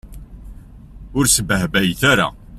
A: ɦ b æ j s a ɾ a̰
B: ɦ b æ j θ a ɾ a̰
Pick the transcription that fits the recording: B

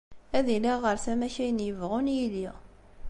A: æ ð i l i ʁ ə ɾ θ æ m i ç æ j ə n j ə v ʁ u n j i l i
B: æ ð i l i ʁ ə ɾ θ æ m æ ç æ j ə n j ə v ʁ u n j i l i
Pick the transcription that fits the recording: B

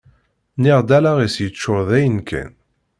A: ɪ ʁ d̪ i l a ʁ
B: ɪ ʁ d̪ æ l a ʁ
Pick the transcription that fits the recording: B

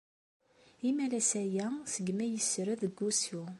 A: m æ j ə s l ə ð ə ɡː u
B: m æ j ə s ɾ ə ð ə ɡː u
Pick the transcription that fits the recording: B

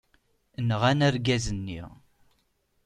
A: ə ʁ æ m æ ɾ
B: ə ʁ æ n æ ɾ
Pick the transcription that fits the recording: B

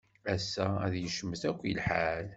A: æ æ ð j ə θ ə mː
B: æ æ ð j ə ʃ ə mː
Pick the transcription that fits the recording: B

